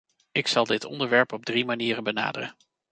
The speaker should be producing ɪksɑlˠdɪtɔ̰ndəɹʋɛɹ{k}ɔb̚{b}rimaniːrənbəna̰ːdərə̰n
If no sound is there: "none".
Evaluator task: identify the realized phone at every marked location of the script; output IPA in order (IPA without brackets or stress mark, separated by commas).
p, d